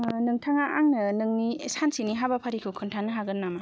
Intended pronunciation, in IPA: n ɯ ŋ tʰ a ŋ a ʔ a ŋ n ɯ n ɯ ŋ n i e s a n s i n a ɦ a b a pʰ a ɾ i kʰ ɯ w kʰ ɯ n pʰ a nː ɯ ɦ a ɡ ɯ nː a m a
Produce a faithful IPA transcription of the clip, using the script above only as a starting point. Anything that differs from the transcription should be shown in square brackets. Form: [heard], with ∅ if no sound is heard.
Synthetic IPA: n ɯ ŋ tʰ a ŋ a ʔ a ŋ n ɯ n ɯ ŋ n i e s a n s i n [i] ɦ a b a pʰ a ɾ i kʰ ɯ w kʰ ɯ n [tʰ] a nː ɯ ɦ a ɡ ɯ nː a m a